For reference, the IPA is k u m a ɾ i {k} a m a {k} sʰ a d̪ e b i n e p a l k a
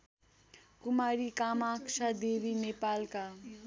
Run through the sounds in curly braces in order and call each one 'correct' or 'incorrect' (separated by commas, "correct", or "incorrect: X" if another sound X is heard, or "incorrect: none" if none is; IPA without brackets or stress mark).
correct, correct